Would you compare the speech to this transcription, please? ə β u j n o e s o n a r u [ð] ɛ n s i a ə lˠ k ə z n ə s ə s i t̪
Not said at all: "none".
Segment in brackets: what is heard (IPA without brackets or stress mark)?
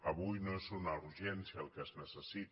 ʒ